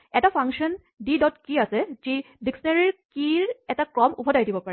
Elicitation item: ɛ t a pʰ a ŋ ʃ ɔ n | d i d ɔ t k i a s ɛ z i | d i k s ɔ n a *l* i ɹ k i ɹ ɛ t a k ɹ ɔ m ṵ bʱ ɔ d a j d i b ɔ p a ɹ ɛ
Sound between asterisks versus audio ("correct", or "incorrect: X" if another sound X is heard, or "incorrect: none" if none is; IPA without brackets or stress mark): incorrect: ɹ